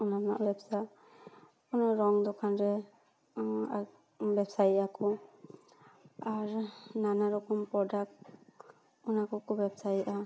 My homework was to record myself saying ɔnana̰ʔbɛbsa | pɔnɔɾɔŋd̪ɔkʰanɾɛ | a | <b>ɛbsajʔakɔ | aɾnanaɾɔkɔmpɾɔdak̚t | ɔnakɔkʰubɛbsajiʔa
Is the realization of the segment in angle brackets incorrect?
no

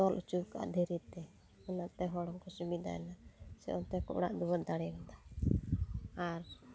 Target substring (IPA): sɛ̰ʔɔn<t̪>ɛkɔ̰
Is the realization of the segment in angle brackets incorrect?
no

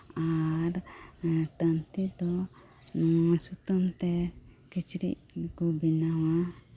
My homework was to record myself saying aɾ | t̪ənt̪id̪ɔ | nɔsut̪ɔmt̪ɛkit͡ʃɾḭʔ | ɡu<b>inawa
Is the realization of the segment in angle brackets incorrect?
no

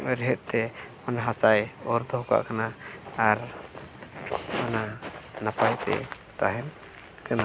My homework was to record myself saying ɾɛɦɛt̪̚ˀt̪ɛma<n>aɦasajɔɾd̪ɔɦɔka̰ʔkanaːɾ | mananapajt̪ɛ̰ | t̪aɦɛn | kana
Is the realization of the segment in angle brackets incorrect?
no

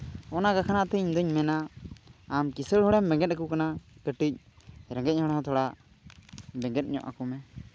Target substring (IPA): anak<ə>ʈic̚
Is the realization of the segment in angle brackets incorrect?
no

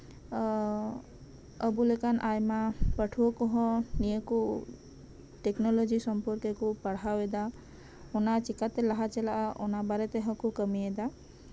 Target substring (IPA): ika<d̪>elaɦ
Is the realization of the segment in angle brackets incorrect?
yes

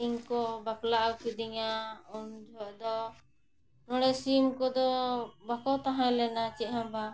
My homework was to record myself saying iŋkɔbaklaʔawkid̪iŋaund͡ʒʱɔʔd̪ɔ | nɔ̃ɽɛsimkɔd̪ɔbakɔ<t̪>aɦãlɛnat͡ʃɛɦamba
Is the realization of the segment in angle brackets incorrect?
no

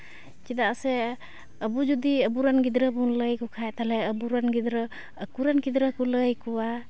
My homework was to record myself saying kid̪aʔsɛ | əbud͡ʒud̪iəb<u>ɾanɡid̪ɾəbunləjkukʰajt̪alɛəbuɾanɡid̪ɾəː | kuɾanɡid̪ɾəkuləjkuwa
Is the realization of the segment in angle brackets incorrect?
no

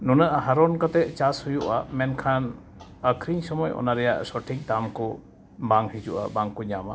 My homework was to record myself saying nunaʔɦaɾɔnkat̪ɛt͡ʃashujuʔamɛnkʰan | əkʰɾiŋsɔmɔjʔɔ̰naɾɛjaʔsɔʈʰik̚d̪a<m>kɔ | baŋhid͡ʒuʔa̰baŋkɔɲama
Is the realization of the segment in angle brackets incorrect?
no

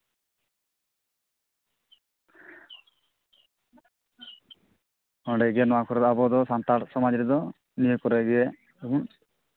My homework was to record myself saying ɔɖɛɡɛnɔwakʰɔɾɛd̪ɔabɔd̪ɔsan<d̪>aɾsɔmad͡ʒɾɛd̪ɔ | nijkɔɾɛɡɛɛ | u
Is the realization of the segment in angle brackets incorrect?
yes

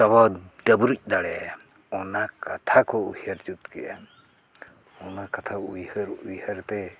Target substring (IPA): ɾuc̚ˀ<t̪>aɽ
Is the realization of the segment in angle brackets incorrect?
yes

